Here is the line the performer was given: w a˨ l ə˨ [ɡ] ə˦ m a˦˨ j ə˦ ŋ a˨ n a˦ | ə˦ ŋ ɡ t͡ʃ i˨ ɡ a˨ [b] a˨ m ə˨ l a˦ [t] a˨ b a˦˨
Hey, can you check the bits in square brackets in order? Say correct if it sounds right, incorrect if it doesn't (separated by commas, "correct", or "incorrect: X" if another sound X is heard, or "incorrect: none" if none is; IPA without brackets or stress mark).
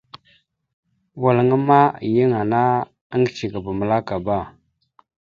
incorrect: ŋ, correct, incorrect: k